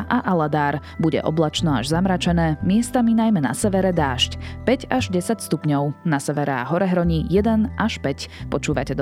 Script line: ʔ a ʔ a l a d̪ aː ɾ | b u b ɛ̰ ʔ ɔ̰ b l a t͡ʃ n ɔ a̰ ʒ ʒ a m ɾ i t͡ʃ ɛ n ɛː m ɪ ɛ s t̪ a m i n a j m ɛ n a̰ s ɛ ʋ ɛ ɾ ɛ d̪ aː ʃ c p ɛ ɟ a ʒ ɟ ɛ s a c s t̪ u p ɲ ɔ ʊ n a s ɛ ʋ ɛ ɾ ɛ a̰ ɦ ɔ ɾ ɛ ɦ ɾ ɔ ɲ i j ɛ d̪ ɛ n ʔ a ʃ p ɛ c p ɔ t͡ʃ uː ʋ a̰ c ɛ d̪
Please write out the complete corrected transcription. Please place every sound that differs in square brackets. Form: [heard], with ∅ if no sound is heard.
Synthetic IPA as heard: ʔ a ʔ a l a d̪ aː ɾ | b u [ɟ] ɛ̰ ʔ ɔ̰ b l a t͡ʃ n ɔ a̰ ʒ [z] a m ɾ [a] t͡ʃ ɛ n ɛː m ɪ ɛ s t̪ a m i n a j m ɛ n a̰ s ɛ ʋ ɛ ɾ ɛ d̪ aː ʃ c p ɛ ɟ a ʒ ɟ ɛ s a c s t̪ u p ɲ ɔ ʊ n a s ɛ ʋ ɛ ɾ ɛ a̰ ɦ ɔ ɾ ɛ ɦ ɾ ɔ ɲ i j ɛ d̪ ɛ n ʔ a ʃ p ɛ c p ɔ t͡ʃ uː ʋ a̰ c ɛ d̪